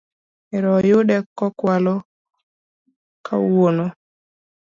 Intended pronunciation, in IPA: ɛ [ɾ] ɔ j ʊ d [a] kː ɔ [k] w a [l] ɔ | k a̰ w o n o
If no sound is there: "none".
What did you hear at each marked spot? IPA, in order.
ɾ, ɛ, k, l

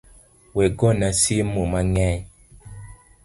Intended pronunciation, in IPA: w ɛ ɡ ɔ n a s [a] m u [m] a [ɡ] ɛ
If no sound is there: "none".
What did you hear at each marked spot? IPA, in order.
i, m, ŋ

